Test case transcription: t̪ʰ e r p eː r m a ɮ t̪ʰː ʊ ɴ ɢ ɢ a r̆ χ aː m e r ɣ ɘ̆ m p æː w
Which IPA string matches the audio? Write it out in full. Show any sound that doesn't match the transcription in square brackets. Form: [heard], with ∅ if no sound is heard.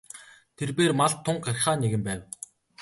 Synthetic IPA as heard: t̪ʰ e r p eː r m a ɮ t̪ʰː ʊ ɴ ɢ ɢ a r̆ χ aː [n] e [∅] ɣ ɘ̆ m p æː w